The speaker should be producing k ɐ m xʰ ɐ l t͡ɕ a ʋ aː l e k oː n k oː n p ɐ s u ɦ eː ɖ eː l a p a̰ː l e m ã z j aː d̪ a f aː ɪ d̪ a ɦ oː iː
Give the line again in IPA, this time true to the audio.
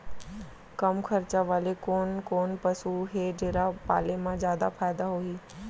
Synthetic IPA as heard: k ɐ m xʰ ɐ ɾ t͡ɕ a ʋ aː l e k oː n k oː n p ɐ s u ɦ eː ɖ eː ɾ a p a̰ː l e m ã z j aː d̪ a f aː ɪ d̪ a ɦ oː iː